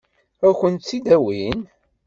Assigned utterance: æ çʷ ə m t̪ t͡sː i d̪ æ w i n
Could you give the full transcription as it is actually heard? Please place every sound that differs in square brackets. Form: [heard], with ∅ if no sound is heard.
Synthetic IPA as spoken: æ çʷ ə [n] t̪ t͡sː i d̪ æ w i n